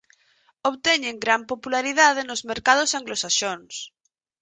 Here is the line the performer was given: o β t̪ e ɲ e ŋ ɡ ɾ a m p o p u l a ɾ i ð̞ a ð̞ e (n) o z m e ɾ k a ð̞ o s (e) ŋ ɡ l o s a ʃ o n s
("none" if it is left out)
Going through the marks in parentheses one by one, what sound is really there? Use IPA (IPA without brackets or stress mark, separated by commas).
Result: n, a